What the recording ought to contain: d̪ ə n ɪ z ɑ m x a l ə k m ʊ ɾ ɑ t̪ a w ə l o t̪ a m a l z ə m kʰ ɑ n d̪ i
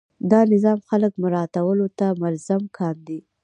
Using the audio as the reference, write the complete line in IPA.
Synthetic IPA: d̪ ɑ n ɪ z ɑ m x a l ə k m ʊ ɾ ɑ t̪ a w ə l o t̪ a m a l z a m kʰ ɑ n d̪ i